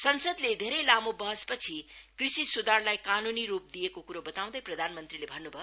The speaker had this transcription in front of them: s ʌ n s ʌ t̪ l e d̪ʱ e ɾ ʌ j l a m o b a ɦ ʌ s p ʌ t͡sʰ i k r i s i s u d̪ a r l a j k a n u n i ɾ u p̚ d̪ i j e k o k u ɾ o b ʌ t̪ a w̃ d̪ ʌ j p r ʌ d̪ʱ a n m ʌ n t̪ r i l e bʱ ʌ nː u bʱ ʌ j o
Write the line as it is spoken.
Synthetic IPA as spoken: s ʌ n s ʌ d̪ l e d̪ʱ e ɾ ʌ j l a m o b ʌ ɦ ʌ s p ʌ t͡sʰ i k r i s i s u d̪ a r l a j k a n u n i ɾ u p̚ d̪ i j e k o k u ɾ o b ʌ t̪ a w̃ d̪ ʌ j p r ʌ d̪ʱ a n m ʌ n t̪ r i l e bʱ ʌ nː u bʱ ʌ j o